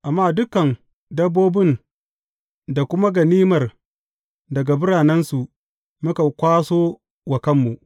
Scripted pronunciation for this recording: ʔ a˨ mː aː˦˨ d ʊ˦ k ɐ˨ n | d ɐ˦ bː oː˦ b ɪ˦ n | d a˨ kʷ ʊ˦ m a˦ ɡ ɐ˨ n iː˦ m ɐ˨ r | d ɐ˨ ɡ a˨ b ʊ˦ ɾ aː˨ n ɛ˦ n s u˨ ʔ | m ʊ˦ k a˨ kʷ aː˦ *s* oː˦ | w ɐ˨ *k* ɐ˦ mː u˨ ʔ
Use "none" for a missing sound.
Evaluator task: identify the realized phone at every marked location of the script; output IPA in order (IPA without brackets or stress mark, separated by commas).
s, k